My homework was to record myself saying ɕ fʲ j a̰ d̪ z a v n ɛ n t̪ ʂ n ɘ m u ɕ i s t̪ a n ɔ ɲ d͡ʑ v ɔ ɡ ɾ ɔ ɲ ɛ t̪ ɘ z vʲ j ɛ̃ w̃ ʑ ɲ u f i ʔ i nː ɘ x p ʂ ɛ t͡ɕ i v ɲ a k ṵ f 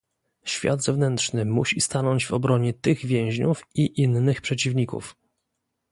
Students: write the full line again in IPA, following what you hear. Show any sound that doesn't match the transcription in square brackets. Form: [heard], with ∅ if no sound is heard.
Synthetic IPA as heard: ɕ fʲ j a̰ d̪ z [ɛ] v n ɛ n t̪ ʂ n ɘ m u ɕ i s t̪ a n ɔ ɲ d͡ʑ v ɔ [b] ɾ ɔ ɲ ɛ t̪ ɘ [ɣ] vʲ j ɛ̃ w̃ ʑ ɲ u f i ʔ i nː ɘ x p ʂ ɛ t͡ɕ i v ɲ [i] k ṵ f